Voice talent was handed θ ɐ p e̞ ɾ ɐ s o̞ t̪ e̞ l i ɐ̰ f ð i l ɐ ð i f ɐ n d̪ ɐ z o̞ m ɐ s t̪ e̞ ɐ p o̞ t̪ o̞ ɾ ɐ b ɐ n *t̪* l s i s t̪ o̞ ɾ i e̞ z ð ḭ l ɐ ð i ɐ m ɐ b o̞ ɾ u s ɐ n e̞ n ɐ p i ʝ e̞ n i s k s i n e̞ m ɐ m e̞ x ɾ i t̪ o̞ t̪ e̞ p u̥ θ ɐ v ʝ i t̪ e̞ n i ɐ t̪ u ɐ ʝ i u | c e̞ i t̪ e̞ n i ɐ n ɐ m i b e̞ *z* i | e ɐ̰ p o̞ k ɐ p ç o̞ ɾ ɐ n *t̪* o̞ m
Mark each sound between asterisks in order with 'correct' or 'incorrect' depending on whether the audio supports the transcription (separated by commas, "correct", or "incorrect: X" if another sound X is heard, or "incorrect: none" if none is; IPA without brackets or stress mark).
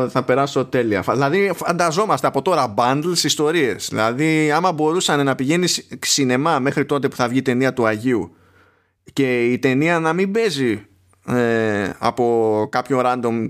incorrect: d̪, correct, incorrect: d̪